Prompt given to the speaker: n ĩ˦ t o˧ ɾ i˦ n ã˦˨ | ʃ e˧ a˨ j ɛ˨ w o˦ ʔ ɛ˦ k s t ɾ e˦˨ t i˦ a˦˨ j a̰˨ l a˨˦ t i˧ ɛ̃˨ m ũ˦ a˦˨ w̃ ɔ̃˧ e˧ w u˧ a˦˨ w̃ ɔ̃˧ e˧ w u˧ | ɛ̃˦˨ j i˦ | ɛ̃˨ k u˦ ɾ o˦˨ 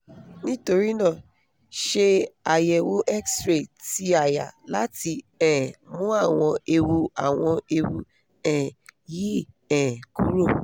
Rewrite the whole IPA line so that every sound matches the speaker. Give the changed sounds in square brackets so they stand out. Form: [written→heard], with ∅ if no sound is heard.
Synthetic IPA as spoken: n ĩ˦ t o˧ ɾ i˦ n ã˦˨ | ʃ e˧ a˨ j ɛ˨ w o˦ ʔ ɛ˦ k s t ɾ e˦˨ t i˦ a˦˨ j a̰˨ l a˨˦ t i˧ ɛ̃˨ m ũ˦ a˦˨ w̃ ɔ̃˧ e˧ w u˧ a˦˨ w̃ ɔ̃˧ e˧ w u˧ | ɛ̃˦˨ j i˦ | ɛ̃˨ k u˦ ɾ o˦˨